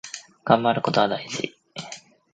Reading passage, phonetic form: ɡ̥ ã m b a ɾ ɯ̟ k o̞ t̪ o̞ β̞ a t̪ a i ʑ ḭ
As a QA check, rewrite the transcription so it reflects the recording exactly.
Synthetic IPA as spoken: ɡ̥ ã m b a ɾ ɯ̟ k o̞ t̪ o̞ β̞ a d̪ a i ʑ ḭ